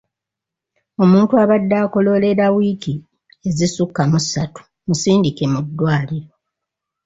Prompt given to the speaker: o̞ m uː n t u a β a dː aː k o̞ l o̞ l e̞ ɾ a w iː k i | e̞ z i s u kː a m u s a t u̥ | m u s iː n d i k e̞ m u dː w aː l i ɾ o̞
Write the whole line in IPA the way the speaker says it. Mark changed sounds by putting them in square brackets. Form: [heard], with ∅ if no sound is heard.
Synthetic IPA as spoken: o̞ m uː n t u a β a dː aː k o̞ l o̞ l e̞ ɾ a w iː k i | e̞ z i s u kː a m u s a t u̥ | m u s iː n d i k e̞ m u dː w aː l i ɾ o̞